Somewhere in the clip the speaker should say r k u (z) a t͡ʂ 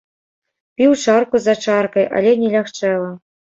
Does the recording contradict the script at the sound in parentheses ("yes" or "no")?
no